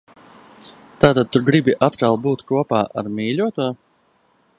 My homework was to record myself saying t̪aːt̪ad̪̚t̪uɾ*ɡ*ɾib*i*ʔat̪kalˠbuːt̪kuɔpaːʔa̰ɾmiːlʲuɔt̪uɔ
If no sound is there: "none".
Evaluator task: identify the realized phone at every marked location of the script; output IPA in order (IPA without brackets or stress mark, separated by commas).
ɡ, i